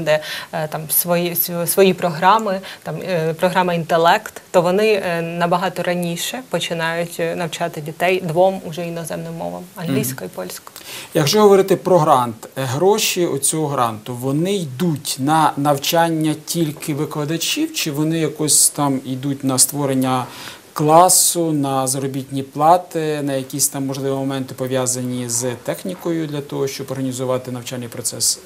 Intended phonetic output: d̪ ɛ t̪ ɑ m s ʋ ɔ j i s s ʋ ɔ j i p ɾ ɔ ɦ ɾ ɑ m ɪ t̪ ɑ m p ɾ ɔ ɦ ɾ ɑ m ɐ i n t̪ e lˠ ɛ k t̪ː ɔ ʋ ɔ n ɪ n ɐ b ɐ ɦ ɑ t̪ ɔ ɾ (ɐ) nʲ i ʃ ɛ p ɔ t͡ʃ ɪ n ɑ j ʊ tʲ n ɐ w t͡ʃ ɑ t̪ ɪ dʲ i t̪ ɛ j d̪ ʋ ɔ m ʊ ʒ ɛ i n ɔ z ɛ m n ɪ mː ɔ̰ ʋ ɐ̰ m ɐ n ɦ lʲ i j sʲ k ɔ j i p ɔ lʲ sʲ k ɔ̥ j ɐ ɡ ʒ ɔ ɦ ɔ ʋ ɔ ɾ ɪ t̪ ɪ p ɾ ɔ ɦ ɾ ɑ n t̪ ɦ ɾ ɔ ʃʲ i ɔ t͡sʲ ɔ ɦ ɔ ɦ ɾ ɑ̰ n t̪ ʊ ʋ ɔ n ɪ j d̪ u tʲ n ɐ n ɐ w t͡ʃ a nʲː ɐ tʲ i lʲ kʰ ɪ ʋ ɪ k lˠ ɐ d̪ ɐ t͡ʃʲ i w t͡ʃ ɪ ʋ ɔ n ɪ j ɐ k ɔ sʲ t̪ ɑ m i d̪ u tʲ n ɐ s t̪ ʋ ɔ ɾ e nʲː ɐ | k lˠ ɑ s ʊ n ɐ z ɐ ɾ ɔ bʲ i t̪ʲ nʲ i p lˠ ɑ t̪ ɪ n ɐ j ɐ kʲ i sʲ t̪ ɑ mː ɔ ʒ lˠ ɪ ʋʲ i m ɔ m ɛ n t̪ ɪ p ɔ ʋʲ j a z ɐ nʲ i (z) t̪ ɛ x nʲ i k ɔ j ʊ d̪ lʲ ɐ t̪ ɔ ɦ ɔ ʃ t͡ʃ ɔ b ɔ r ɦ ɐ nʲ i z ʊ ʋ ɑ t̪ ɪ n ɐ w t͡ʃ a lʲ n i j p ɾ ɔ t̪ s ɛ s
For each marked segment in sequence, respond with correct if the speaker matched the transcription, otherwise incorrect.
correct, correct

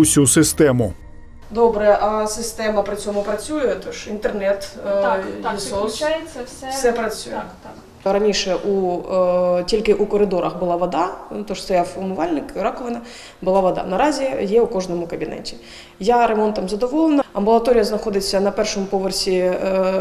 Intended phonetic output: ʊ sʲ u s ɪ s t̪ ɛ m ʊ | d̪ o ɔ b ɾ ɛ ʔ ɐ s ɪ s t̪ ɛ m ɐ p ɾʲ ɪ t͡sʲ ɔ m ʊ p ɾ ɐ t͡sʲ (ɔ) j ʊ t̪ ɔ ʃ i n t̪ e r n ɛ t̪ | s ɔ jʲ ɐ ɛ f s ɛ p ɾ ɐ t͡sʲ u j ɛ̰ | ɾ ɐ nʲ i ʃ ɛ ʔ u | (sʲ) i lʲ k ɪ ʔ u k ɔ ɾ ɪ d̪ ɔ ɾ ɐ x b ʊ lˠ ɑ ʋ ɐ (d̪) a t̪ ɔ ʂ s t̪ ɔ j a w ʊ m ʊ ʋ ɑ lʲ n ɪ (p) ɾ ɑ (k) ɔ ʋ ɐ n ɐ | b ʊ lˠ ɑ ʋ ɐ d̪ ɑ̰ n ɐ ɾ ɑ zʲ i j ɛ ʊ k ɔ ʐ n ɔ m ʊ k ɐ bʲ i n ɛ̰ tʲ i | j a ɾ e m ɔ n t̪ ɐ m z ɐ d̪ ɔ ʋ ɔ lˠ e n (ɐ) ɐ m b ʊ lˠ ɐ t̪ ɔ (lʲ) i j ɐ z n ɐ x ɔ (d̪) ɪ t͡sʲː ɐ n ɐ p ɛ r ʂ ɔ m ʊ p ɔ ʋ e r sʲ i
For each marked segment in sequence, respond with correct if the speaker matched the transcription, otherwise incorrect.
incorrect: u, incorrect: tʲ, correct, incorrect: k, correct, correct, incorrect: ɾʲ, correct

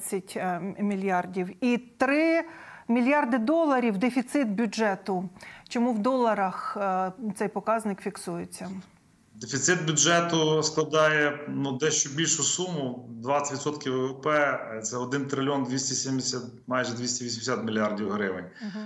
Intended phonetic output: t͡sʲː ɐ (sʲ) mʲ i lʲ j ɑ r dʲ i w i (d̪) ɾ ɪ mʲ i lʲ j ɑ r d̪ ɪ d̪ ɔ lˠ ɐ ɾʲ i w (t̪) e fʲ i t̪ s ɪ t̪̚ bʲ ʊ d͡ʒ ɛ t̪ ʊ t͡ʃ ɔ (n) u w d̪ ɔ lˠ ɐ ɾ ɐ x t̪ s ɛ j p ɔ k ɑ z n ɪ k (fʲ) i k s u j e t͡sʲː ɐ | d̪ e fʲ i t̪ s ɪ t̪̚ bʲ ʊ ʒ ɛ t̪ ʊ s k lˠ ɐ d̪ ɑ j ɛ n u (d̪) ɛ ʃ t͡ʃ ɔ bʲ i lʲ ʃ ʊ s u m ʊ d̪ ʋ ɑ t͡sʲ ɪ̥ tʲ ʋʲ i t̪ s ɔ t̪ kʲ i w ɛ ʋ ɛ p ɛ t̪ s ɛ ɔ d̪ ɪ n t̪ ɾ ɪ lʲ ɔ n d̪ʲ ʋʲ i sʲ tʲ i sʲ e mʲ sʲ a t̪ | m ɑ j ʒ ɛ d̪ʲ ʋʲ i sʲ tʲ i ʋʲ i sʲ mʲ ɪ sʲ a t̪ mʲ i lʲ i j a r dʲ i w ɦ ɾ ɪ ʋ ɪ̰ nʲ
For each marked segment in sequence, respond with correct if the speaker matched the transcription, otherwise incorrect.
incorrect: tʲ, incorrect: t̪, incorrect: d̪, incorrect: m, correct, correct

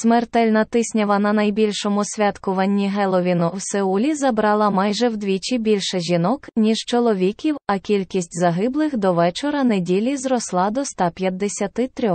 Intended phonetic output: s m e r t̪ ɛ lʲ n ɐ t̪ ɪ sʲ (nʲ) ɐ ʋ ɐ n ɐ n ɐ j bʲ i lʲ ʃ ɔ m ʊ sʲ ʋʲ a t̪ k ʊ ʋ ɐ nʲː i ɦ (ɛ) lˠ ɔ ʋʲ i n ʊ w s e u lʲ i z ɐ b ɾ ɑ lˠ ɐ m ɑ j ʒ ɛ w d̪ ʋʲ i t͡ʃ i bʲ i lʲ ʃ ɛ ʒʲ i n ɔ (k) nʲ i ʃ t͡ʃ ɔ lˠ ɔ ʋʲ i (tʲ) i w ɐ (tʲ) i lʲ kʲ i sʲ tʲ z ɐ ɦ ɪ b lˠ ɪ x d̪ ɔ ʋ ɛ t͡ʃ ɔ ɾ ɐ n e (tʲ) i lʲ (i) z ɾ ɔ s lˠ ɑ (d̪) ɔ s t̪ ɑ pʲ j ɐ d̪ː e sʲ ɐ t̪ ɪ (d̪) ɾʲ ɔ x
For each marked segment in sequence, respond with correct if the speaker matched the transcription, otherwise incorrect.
correct, correct, correct, incorrect: kʲ, incorrect: kʲ, incorrect: dʲ, correct, correct, incorrect: t̪

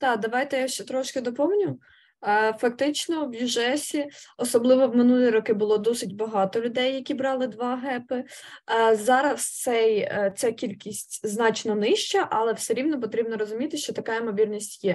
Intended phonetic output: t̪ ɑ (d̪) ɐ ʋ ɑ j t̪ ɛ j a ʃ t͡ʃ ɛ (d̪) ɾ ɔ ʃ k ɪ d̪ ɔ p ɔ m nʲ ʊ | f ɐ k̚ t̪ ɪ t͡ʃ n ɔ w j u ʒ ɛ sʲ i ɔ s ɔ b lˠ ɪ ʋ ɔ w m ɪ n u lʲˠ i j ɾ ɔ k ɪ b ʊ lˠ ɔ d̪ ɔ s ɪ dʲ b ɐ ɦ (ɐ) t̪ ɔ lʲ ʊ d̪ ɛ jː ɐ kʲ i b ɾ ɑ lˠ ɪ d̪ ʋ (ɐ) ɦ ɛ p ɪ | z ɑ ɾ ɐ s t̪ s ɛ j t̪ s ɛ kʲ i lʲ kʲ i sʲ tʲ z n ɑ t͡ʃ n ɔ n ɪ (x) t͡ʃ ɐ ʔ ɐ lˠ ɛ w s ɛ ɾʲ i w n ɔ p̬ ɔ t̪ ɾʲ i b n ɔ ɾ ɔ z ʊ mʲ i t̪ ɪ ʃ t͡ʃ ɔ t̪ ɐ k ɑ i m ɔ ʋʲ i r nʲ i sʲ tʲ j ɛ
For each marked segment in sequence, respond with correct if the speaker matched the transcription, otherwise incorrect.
correct, incorrect: t̪, incorrect: ɑ, incorrect: ɑ, incorrect: ʃ

